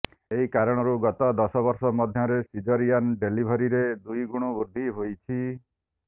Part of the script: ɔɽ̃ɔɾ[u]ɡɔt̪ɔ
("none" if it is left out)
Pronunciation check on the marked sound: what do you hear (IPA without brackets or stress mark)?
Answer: u